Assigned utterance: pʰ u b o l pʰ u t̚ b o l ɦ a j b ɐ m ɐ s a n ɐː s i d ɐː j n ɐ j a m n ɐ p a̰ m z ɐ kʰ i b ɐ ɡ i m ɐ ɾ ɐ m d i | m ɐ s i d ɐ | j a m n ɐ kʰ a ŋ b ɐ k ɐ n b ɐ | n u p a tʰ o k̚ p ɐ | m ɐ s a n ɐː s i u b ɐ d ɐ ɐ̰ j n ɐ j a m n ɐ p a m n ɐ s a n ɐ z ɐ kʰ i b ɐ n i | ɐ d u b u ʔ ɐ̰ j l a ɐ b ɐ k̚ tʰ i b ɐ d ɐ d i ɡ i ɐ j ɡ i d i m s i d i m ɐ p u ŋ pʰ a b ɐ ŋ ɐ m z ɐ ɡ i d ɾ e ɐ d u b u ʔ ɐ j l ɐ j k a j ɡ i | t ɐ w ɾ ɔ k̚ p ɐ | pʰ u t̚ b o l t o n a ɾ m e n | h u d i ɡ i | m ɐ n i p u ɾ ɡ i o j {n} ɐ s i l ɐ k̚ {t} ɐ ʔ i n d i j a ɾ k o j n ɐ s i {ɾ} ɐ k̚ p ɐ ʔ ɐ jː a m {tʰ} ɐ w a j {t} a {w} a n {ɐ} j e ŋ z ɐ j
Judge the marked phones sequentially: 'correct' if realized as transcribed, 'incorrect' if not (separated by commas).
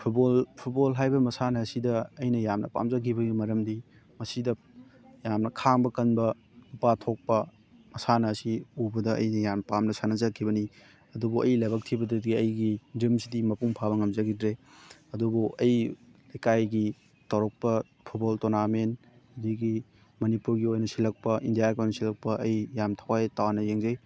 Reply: correct, incorrect, incorrect, correct, correct, correct, correct